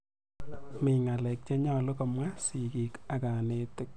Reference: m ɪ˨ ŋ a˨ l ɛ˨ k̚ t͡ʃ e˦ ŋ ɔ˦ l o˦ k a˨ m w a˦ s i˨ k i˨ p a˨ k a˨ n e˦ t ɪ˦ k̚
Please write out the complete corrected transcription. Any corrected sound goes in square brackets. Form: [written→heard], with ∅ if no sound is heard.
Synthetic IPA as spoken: m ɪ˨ ŋ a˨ l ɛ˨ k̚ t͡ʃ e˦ [ŋ→ɲ] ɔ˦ l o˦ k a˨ m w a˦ s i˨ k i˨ [p→k] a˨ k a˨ n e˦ t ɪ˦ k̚